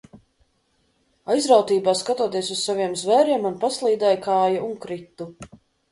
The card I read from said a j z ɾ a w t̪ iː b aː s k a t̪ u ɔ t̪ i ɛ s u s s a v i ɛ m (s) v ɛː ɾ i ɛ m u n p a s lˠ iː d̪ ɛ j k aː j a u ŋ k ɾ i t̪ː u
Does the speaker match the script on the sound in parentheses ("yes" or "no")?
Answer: no